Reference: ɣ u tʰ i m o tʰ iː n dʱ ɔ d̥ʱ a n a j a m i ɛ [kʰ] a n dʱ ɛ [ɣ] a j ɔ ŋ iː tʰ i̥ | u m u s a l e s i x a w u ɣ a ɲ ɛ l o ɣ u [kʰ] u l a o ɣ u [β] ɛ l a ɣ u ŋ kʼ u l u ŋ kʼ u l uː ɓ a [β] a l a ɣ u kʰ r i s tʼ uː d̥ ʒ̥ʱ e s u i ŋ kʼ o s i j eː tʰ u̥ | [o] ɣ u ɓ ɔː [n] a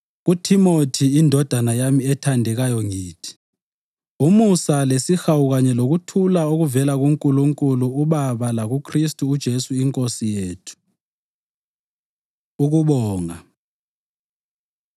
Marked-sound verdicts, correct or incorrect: incorrect, correct, incorrect, incorrect, correct, incorrect, incorrect

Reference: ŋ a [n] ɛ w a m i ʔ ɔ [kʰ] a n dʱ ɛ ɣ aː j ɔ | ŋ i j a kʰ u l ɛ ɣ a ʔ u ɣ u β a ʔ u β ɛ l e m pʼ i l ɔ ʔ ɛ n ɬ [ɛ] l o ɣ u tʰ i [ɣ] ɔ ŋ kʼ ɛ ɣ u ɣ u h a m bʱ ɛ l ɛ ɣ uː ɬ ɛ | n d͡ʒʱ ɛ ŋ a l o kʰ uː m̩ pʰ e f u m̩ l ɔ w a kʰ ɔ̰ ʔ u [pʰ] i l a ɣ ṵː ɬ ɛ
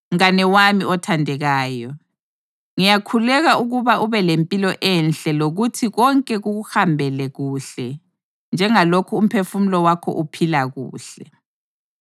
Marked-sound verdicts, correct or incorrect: correct, incorrect, correct, correct, correct

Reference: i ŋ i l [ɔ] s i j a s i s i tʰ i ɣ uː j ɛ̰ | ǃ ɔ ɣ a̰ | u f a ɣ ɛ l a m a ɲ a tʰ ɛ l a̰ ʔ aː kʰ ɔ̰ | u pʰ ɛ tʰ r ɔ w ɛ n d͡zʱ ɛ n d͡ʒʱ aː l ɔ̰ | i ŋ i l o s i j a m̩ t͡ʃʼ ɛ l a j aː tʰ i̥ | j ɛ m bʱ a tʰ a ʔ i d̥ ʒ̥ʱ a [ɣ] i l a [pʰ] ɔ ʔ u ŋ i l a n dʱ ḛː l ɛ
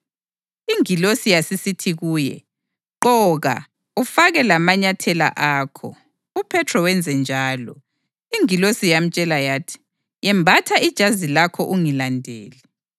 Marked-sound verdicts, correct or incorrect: incorrect, incorrect, incorrect

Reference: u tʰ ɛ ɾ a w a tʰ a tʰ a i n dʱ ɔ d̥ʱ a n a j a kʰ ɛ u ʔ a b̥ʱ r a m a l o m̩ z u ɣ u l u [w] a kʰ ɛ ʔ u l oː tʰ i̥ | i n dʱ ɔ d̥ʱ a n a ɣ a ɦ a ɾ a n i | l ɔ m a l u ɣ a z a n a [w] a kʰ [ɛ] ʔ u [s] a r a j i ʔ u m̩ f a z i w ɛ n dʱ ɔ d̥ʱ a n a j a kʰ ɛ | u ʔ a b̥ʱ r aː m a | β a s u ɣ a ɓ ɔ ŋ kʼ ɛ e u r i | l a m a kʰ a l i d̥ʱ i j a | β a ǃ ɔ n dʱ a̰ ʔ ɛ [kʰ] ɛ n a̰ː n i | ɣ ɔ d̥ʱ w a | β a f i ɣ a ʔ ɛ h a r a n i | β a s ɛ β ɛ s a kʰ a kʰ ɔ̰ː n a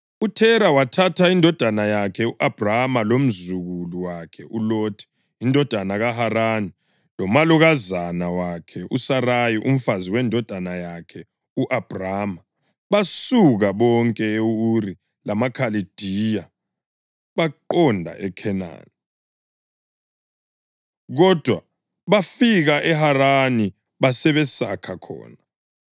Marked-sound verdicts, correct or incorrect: correct, correct, correct, correct, correct

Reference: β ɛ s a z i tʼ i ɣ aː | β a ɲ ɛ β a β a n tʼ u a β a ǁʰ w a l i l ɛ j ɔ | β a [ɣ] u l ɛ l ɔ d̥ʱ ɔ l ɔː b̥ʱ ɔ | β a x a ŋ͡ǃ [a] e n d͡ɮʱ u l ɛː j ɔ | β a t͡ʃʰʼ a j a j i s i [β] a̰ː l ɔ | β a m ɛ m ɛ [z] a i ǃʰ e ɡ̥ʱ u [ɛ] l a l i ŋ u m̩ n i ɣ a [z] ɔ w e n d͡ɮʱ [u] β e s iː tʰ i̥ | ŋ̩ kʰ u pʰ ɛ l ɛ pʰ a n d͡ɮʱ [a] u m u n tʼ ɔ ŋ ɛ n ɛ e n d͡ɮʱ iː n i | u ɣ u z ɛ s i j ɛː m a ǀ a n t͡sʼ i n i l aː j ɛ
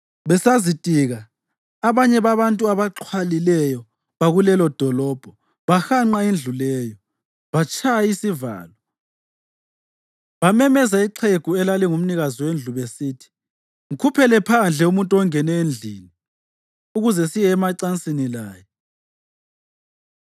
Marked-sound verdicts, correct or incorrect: correct, correct, incorrect, correct, correct, correct, correct, incorrect

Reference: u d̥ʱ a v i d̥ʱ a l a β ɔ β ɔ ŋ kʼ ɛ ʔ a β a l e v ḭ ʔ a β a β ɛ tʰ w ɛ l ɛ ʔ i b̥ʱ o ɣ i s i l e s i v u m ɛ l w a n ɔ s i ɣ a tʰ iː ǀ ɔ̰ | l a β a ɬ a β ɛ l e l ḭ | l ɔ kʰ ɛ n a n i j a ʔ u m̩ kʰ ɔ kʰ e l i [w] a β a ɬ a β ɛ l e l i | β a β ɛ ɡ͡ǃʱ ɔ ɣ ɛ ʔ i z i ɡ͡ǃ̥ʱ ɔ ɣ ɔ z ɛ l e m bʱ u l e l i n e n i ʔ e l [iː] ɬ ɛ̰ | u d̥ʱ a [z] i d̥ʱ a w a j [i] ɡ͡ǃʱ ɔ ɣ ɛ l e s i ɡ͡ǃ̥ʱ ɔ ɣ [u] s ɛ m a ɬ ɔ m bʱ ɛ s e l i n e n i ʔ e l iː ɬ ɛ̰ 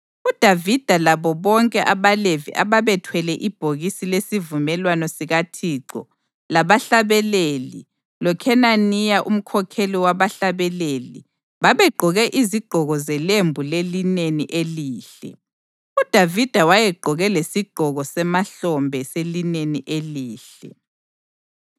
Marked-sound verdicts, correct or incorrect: correct, correct, incorrect, incorrect, incorrect

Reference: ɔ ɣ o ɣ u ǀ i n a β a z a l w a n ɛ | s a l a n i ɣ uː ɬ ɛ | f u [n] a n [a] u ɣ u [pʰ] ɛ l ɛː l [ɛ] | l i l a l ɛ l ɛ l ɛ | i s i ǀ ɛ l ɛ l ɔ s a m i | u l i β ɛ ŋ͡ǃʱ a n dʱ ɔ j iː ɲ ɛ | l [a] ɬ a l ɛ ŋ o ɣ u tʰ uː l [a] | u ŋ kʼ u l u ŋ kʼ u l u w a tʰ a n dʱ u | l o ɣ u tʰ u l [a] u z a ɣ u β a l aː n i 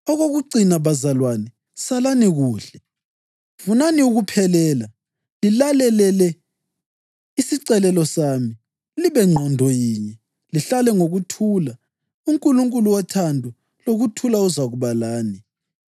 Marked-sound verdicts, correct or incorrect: correct, incorrect, correct, incorrect, incorrect, correct, correct

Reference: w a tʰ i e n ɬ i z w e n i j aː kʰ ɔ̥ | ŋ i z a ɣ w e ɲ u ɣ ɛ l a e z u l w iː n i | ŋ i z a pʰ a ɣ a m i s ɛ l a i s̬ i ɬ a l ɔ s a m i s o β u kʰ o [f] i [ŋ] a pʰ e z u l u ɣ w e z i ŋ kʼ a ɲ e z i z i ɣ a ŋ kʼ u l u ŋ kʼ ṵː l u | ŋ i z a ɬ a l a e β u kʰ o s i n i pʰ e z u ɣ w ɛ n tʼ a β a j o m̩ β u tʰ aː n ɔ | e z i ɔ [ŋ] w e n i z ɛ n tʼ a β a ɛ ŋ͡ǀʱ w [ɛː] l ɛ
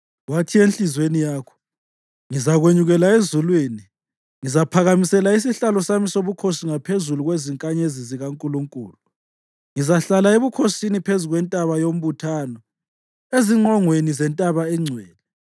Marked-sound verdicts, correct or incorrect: incorrect, correct, correct, correct

